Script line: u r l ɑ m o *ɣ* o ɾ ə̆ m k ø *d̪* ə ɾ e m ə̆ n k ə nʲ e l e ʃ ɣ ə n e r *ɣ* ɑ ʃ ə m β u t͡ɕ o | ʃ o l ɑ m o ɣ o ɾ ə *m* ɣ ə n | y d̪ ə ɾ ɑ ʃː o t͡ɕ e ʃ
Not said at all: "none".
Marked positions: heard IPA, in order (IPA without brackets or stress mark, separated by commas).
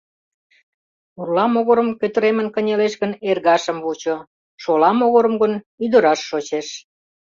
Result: ɣ, t̪, ɣ, m